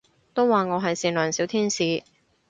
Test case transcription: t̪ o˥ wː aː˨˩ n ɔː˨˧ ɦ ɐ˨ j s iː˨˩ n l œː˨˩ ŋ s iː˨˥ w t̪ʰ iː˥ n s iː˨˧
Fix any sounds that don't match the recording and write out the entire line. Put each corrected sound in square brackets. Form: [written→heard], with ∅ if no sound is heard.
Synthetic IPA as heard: t̪ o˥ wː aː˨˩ [n→ŋ] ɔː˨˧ ɦ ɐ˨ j s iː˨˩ n l œː˨˩ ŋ s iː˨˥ w t̪ʰ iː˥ n s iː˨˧